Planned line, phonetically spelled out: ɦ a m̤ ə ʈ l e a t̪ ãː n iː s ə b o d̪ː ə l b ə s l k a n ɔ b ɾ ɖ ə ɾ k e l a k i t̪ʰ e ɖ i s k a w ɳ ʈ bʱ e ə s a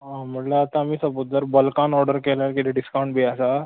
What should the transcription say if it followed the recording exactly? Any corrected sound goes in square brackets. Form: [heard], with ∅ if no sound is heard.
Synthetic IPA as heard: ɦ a m̤ ə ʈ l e a t̪ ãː [m] iː s ə b o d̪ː ə [ɾ] b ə [∅] l k a n ɔ [∅] ɾ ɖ ə ɾ k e l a k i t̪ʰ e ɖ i s k a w ɳ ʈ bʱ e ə s a